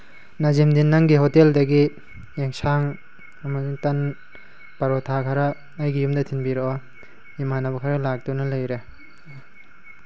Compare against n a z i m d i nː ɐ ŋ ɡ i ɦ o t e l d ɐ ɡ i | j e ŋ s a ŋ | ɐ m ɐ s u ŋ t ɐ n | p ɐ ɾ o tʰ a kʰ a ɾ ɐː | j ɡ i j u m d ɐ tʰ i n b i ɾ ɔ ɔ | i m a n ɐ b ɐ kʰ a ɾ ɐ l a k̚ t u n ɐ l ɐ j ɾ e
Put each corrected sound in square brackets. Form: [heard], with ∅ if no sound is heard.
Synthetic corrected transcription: n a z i m d i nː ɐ ŋ ɡ i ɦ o t e l d ɐ ɡ i | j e ŋ s a ŋ | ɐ m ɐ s u ŋ t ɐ n | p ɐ ɾ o tʰ a kʰ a ɾ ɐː | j ɡ i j u m d ɐ tʰ i n b i ɾ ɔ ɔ | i m a n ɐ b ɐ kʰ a ɾ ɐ l a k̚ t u n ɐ l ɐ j ɾ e